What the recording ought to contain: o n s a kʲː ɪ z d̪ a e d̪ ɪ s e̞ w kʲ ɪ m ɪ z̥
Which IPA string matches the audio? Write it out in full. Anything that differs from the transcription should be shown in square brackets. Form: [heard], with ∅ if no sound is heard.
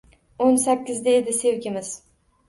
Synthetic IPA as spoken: o n s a kʲː ɪ z d̪ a e d̪ ɪ s e̞ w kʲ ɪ m ɪ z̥